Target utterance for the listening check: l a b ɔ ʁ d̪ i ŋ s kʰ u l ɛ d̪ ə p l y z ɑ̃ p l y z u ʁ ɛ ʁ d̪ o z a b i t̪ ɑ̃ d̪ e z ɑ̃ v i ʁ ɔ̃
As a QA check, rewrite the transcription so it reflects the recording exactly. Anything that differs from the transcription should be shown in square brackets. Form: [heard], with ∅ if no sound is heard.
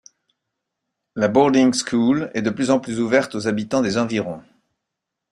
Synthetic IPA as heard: l a b ɔ ʁ d̪ i ŋ s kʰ u l ɛ d̪ ə p l y z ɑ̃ p l y z u [v] ɛ ʁ [t̪] o z a b i t̪ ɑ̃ d̪ e z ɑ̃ v i ʁ ɔ̃